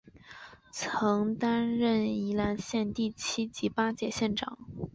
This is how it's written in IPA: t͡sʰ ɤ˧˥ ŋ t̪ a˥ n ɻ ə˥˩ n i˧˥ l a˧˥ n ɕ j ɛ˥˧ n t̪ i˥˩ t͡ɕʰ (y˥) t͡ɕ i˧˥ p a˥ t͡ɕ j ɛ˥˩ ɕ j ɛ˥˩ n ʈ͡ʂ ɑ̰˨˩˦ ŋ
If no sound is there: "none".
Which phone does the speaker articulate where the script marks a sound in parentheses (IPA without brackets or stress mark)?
i˥